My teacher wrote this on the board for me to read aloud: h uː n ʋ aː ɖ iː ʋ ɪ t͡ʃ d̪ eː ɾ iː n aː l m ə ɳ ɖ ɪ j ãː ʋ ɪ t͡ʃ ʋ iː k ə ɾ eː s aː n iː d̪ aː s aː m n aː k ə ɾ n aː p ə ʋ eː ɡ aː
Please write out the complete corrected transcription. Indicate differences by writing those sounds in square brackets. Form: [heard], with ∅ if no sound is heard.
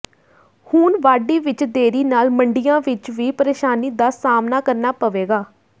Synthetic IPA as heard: h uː n ʋ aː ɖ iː ʋ ɪ t͡ʃ d̪ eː ɾ iː n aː l m ə ɳ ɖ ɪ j ãː ʋ ɪ t͡ʃ ʋ iː [p] ə ɾ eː [ʃ] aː n iː d̪ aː s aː m n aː k ə ɾ n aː p ə ʋ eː ɡ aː